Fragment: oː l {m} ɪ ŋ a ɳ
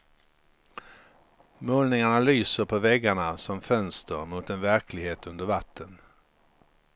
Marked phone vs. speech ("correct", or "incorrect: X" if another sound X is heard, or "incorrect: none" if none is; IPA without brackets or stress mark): incorrect: n